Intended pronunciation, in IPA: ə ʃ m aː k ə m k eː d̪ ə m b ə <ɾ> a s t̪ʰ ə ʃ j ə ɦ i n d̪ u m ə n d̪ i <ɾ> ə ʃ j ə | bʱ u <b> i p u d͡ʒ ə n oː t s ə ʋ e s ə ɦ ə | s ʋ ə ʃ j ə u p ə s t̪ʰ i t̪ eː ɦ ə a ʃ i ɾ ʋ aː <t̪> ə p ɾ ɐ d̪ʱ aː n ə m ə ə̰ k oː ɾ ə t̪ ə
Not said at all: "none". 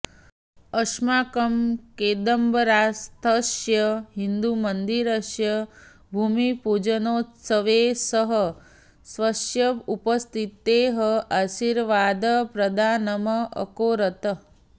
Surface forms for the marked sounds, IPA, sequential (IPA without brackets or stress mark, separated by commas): ɾ, ɾ, m, d̪